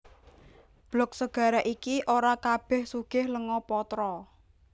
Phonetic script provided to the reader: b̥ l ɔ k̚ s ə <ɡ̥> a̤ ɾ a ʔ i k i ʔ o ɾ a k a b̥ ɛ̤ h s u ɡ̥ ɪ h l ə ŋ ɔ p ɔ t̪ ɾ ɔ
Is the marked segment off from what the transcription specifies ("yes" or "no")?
no